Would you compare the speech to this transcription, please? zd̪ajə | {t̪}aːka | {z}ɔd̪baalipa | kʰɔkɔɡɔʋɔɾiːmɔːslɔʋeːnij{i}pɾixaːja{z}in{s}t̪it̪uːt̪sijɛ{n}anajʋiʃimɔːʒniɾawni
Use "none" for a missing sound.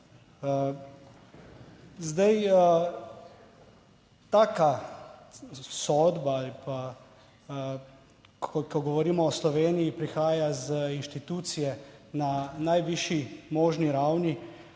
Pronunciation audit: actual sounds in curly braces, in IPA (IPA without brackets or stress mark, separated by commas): t̪, s, i, z, ʃ, n